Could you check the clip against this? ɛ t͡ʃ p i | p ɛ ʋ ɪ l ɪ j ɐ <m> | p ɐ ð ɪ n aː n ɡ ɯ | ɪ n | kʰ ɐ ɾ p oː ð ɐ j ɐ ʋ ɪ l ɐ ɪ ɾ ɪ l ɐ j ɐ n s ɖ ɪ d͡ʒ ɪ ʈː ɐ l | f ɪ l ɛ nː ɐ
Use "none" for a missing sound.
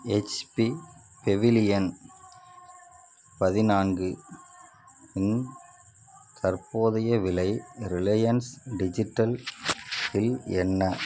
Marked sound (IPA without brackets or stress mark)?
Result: n